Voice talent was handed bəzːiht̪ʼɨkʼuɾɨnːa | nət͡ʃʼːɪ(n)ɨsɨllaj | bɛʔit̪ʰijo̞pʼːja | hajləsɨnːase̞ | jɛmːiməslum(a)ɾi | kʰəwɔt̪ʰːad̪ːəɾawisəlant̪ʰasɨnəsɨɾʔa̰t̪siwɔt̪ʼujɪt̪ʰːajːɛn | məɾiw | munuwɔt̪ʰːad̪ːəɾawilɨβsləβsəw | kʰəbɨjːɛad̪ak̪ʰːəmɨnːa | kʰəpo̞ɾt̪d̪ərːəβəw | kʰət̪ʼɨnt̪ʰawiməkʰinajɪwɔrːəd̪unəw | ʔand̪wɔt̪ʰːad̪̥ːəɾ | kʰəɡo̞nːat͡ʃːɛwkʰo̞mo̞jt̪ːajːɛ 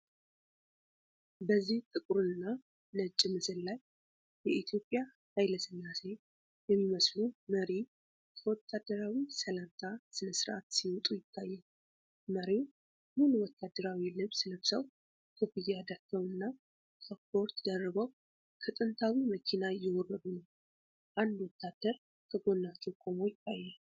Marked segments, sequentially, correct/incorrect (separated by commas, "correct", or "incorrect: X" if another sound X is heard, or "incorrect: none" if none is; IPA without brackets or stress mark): incorrect: m, incorrect: ə